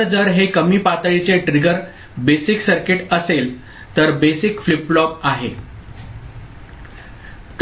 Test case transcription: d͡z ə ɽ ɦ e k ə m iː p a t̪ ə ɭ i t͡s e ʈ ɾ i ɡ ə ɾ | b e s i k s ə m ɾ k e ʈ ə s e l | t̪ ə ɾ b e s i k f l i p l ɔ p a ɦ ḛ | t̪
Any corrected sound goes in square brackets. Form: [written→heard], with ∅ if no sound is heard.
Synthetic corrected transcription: d͡z ə [ɽ→ɾ] ɦ e k ə m iː p a t̪ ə ɭ i t͡s e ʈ ɾ i ɡ ə ɾ | b e s i k s ə [m→∅] ɾ k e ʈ ə s e l | t̪ ə ɾ b e s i k f l i p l ɔ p a ɦ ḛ | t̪